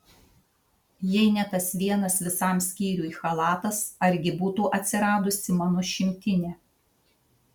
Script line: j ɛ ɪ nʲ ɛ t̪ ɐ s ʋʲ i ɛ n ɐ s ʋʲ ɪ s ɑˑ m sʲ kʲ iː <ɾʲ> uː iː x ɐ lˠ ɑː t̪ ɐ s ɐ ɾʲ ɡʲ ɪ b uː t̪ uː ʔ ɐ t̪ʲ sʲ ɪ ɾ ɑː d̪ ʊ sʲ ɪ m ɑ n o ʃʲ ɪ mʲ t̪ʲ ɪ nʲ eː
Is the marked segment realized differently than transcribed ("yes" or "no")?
no